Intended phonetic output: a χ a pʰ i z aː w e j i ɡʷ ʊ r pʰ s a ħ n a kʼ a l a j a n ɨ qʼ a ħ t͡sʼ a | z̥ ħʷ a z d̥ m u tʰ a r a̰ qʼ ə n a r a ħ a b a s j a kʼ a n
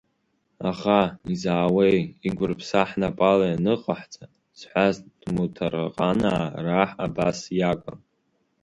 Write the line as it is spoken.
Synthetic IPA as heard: a χ a i z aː w e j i ɡʷ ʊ r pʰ s a ħ n a pʼ a l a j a n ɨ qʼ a ħ t͡sʼ a | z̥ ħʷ a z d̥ m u tʰ a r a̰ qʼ a n a r a ħ a b a s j a kʼ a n